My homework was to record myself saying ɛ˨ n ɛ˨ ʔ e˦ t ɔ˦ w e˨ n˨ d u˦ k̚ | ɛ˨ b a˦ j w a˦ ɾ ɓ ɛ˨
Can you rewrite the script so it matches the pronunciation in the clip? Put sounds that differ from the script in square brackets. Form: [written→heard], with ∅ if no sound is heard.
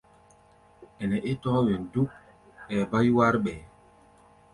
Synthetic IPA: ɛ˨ n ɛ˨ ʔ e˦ t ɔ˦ w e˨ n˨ d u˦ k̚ | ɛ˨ b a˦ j w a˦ ɾ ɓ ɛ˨